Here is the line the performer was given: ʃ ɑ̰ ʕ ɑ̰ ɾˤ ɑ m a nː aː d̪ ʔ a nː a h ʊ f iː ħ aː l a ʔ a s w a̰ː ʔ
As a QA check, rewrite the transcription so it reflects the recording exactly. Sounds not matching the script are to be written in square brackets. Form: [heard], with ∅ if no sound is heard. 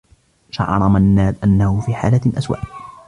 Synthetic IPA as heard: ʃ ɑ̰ ʕ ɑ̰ ɾˤ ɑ m a nː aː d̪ ʔ a nː a h ʊ f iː ħ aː l a ʔ a s w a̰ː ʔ